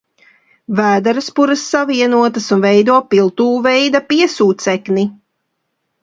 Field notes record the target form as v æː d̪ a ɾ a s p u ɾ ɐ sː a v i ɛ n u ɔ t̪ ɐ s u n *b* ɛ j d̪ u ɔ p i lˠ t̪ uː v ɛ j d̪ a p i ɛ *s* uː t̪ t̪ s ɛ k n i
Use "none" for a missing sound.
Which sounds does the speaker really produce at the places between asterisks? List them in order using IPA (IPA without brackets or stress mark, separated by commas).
v, s